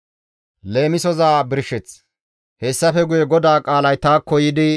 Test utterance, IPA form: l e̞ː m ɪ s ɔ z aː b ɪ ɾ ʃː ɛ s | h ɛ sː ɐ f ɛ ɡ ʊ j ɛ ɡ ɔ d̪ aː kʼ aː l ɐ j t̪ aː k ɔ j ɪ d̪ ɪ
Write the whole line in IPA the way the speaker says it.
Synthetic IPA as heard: l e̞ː m ɪ s ɔ z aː b ɪ ɾ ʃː ɛ t͡s | h ɛ sː ɐ f ɛ ɡ ʊ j ɛ ɡ ɔ d̪ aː kʼ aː l ɐ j t̪ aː k ɔ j ɪ d̪ ɪ